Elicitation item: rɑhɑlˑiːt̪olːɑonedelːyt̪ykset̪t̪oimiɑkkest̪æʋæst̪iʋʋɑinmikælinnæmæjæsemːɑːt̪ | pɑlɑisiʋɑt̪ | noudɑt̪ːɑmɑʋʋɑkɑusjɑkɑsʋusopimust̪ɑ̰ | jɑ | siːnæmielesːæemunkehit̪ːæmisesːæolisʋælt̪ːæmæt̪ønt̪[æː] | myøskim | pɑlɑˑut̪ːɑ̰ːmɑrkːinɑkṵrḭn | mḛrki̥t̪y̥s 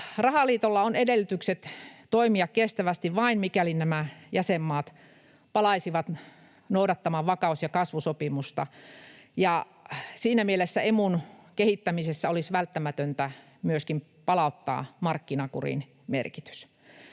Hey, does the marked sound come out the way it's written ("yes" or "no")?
no